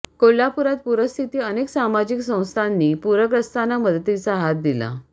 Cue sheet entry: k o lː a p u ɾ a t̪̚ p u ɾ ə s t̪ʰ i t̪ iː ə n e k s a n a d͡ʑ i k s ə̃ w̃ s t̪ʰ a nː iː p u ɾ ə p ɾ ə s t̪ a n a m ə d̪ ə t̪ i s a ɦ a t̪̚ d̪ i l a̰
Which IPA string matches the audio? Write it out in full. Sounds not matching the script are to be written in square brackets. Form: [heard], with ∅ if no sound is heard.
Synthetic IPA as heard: k o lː a p u ɾ a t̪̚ p u ɾ ə s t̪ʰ i t̪ iː ə n e k s a [m] a d͡ʑ i k s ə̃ w̃ s t̪ʰ a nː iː p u ɾ ə [k] ɾ ə s t̪ a n a m ə d̪ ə t̪ i [t͡s] a ɦ a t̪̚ d̪ i l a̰